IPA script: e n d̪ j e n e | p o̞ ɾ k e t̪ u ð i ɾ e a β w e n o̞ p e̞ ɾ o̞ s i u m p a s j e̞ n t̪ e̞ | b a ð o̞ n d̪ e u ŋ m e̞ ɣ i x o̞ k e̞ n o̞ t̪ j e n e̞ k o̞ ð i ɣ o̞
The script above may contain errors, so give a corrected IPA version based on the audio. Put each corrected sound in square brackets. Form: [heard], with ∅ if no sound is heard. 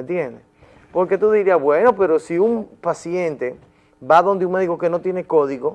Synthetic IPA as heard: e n [t̪] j e n e | p o̞ ɾ k e t̪ u ð i ɾ [i] a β w e n o̞ p e̞ ɾ o̞ s i u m p a s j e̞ n t̪ e̞ | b a ð o̞ n d̪ e u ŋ m e̞ [ð] i [k] o̞ k e̞ n o̞ t̪ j e n e̞ k o̞ ð i ɣ o̞